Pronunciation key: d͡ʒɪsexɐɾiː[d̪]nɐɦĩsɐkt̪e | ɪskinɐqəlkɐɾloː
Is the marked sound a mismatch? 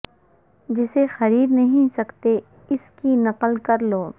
no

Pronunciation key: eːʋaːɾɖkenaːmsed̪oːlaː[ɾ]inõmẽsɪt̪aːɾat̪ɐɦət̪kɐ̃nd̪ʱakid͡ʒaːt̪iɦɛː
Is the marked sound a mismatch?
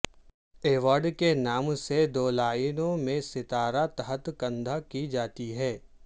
yes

